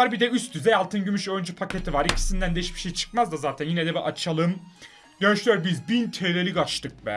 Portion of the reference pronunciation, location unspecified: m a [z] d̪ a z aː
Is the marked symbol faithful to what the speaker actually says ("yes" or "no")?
yes